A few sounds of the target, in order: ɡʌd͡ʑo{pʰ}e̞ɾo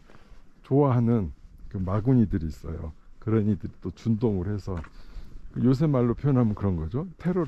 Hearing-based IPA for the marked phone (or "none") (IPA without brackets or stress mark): tʰ